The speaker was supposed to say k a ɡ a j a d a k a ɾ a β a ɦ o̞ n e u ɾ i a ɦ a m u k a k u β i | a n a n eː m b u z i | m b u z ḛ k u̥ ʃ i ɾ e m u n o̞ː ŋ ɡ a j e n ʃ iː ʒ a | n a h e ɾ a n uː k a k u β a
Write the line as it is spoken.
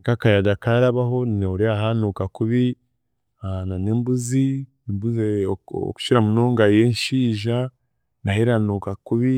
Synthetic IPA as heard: k a k a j a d a k a ɾ a β a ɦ o̞ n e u ɾ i a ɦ a n u k a k u β i | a n a n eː m b u z i | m b u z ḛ k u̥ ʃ i ɾ a m u n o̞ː ŋ ɡ a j e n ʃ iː ʒ a | n a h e ɾ a n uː k a k u β i